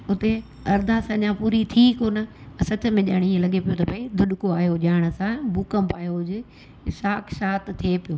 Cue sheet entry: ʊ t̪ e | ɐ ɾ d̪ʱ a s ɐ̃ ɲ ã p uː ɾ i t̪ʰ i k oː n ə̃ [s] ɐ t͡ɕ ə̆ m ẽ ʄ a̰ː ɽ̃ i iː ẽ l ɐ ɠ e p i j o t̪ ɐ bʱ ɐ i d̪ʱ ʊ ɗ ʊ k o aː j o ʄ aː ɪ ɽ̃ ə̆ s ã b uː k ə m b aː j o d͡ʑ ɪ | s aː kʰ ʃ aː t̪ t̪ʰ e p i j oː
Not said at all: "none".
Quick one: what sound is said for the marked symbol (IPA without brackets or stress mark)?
s